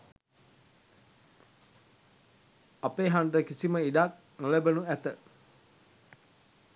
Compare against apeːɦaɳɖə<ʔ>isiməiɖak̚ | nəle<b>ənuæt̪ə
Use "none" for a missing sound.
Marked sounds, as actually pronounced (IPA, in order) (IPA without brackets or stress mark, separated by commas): k, b